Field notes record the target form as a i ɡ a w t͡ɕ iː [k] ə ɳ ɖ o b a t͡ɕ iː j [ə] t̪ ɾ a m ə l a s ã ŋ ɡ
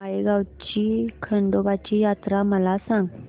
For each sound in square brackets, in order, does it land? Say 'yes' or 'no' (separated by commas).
no, no